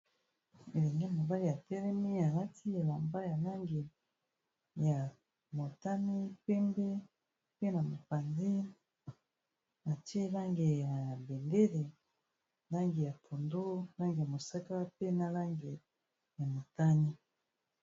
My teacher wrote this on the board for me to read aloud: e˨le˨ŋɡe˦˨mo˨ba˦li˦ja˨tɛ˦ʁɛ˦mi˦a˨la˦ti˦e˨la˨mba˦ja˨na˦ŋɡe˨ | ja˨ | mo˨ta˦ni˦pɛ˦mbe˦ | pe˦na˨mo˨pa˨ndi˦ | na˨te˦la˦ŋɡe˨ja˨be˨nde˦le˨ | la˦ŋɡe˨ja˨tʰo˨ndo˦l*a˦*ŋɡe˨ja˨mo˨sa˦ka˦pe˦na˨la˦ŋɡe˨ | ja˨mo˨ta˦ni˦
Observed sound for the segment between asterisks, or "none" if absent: a˦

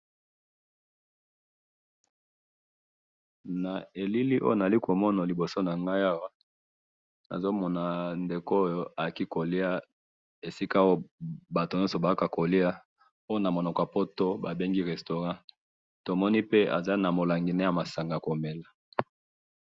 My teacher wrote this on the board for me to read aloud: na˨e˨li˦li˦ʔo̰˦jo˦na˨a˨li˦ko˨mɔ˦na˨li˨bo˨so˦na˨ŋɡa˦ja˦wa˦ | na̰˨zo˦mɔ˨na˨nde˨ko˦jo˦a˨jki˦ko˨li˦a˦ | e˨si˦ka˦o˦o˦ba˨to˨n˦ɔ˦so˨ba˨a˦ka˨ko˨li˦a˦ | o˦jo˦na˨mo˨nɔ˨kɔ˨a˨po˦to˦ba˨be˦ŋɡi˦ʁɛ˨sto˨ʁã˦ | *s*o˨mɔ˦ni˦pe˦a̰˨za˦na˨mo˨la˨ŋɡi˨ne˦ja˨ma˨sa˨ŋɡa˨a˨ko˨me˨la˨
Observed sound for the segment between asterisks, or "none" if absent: t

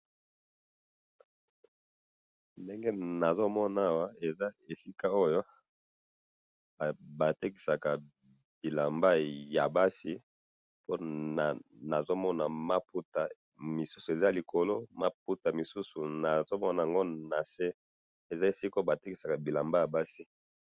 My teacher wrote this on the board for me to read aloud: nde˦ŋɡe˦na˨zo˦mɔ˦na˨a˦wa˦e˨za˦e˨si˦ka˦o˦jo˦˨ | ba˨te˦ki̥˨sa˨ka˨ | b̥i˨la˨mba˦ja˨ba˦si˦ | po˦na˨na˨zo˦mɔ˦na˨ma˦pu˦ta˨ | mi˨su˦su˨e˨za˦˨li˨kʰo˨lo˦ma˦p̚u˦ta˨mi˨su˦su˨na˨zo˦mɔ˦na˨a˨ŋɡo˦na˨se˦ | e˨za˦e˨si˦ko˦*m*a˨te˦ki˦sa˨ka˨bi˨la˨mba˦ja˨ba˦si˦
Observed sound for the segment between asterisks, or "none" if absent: b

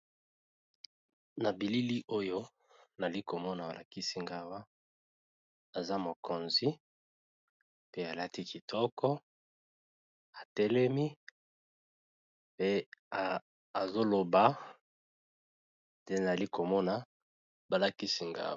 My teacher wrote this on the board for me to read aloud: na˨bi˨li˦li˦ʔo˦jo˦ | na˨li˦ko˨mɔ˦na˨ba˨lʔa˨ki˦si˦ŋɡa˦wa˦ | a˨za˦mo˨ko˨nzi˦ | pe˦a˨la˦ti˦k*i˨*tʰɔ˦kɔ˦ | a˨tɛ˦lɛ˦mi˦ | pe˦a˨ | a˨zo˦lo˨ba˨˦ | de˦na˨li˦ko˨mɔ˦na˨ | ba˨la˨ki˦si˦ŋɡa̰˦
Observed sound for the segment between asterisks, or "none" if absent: i˨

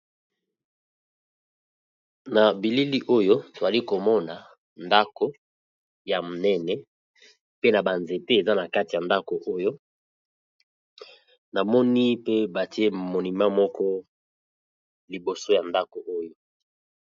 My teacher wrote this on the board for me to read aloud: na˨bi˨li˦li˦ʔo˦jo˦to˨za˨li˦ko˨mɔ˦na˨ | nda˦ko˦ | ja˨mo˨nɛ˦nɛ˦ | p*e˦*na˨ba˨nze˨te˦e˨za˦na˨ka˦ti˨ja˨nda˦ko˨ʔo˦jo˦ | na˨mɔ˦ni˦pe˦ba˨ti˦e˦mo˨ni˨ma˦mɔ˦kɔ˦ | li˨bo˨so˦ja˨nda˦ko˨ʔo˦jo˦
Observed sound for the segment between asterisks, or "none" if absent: e˦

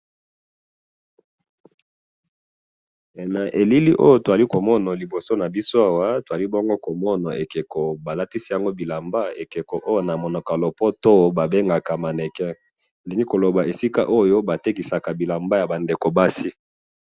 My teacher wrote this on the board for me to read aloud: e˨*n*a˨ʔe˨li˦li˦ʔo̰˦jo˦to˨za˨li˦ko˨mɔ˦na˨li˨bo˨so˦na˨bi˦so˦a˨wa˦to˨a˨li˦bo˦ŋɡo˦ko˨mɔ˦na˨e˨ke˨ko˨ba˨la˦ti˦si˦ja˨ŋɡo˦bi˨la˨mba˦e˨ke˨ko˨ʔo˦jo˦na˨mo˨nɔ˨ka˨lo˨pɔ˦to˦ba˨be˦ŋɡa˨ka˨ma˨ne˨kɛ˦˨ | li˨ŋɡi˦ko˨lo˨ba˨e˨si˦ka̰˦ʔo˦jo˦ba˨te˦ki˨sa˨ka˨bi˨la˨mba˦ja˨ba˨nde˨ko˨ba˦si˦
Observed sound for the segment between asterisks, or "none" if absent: n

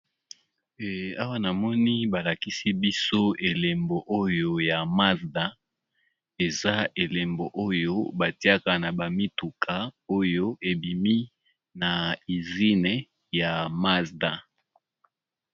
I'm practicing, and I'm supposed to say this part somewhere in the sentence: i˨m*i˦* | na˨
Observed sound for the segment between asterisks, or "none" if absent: i˦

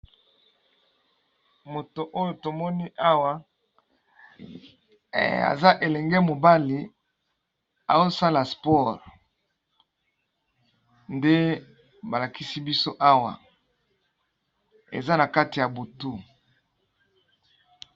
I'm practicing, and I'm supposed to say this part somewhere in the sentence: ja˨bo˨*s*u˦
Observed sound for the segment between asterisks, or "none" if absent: t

